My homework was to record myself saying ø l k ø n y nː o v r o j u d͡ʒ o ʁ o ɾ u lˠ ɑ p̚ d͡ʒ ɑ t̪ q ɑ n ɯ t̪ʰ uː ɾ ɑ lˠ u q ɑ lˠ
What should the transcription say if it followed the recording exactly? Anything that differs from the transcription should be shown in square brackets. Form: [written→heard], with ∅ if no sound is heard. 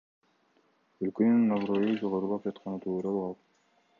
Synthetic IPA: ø l k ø n y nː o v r o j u d͡ʒ o ʁ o ɾ u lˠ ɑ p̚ d͡ʒ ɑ t̪ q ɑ n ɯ t̪ʰ uː ɾ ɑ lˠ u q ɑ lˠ